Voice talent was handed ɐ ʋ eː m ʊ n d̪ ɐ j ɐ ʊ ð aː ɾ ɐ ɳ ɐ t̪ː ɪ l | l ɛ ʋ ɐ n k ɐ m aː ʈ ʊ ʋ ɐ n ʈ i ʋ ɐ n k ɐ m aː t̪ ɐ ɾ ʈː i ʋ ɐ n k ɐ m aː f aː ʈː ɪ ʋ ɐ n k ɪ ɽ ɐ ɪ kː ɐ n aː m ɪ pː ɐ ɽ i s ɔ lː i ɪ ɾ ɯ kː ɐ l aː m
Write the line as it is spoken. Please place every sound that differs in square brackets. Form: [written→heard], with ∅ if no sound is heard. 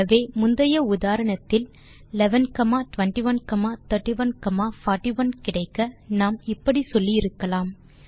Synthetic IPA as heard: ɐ ʋ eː m ʊ n d̪ ɐ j ɐ ʊ ð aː ɾ ɐ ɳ ɐ t̪ː ɪ l | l ɛ ʋ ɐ n k ɐ m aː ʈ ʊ ʋ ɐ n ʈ i ʋ ɐ n k ɐ m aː t̪ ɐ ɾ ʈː i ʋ ɐ n k ɐ m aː f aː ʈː [ɪ→i] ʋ ɐ n k ɪ ɽ ɐ ɪ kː ɐ n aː m ɪ pː ɐ ɽ i s ɔ lː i ɪ ɾ ɯ kː ɐ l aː m

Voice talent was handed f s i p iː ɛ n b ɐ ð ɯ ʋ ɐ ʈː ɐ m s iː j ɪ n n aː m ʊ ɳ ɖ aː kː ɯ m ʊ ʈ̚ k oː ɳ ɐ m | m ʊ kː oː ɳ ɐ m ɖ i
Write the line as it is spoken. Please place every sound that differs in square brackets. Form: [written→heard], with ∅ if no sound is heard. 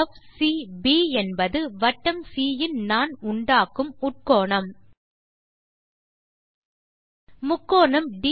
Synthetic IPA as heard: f s i [p→b] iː ɛ n b ɐ ð ɯ ʋ ɐ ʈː ɐ m s iː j ɪ n n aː [m→n] ʊ ɳ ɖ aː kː ɯ m ʊ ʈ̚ k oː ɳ ɐ m | m ʊ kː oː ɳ ɐ m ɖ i

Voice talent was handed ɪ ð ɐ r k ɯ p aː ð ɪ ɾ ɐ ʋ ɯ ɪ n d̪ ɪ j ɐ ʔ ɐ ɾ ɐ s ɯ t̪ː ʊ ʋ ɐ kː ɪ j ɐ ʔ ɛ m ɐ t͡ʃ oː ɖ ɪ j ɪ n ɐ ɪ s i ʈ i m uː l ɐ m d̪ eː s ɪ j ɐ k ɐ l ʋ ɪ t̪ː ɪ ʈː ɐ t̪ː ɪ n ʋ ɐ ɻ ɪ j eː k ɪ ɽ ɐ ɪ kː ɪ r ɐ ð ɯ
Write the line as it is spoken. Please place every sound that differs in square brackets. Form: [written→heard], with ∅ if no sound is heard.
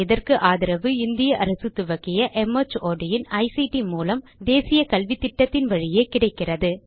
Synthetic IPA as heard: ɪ ð ɐ r k ɯ [p→ʔ] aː ð ɪ ɾ ɐ ʋ ɯ ɪ n d̪ ɪ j ɐ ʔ ɐ ɾ ɐ s ɯ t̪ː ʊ ʋ ɐ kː ɪ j ɐ ʔ ɛ m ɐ t͡ʃ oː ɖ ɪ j ɪ n ɐ ɪ s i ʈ i m uː l ɐ m d̪ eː s ɪ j ɐ k ɐ l ʋ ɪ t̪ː ɪ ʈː ɐ t̪ː ɪ n ʋ ɐ ɻ ɪ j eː k ɪ ɽ ɐ ɪ kː ɪ r ɐ ð ɯ

